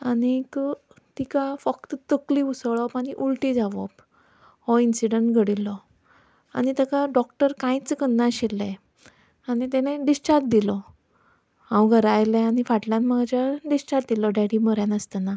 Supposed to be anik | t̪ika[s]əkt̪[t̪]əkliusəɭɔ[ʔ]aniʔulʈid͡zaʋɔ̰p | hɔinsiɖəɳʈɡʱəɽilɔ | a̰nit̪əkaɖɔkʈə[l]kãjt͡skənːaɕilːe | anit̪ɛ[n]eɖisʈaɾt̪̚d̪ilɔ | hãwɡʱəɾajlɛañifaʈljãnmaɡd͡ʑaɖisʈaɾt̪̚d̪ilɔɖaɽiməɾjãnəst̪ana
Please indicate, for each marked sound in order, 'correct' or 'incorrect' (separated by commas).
incorrect, correct, incorrect, incorrect, correct